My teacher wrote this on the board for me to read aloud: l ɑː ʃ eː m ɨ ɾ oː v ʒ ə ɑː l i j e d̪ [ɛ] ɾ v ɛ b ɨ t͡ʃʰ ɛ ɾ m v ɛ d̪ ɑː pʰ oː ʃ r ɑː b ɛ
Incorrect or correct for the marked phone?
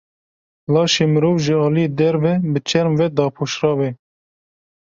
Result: correct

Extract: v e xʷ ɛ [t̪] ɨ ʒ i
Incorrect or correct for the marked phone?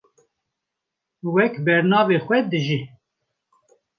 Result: incorrect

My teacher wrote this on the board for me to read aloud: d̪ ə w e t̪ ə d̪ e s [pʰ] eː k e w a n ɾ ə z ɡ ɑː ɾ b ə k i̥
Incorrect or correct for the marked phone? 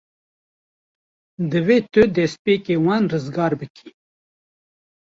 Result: incorrect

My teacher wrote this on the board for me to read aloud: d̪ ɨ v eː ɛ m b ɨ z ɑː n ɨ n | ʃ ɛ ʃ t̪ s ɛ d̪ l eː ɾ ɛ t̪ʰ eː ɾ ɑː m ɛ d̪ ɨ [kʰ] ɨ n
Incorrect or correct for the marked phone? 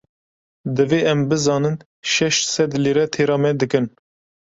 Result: incorrect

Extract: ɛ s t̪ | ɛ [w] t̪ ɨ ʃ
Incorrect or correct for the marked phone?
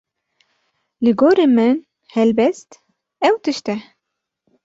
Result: correct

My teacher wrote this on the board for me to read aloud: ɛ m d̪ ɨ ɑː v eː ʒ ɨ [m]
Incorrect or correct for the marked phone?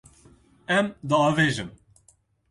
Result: correct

